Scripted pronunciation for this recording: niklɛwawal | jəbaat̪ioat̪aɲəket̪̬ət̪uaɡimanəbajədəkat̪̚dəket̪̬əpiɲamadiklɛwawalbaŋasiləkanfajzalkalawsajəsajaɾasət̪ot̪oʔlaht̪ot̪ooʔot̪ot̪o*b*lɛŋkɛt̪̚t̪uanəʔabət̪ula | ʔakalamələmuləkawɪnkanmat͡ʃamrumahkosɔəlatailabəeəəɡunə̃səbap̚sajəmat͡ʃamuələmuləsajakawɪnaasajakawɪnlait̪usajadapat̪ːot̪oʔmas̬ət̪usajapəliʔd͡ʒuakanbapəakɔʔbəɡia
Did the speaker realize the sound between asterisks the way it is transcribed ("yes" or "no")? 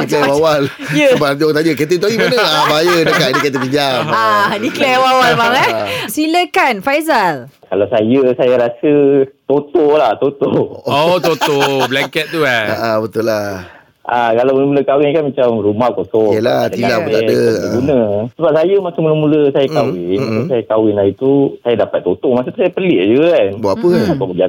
yes